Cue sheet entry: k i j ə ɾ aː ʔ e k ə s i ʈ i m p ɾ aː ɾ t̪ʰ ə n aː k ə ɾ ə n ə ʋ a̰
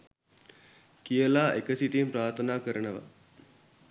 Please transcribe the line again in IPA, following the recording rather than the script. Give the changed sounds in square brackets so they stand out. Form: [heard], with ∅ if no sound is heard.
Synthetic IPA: k i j ə [l] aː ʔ e k ə s i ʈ i m p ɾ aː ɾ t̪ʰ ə n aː k ə ɾ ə n ə ʋ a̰